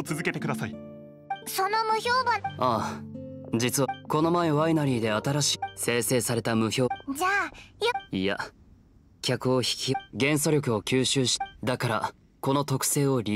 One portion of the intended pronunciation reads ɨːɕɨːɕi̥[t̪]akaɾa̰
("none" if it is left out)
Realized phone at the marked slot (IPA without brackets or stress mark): d̪